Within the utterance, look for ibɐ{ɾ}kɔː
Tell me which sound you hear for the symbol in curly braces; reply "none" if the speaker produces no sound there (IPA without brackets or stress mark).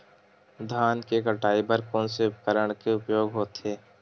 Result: ɾ